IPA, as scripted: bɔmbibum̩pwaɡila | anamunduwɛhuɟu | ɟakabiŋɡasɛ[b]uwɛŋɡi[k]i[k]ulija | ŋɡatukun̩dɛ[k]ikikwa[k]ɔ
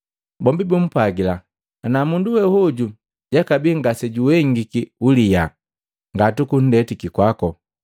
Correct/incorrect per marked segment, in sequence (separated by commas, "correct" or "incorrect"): incorrect, correct, incorrect, incorrect, correct